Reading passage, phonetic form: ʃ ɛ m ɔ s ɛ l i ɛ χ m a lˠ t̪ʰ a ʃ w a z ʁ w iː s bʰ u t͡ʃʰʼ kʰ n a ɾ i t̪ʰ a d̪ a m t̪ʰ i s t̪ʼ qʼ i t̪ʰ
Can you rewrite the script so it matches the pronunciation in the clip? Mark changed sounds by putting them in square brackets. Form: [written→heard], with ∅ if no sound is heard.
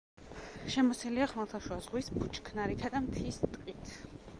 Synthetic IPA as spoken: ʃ ɛ m ɔ s ɛ l i [ɛ→a] χ m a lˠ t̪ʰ a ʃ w a z ʁ w [iː→i] s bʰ u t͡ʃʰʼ kʰ n a ɾ i t̪ʰ a d̪ a m t̪ʰ i s t̪ʼ qʼ i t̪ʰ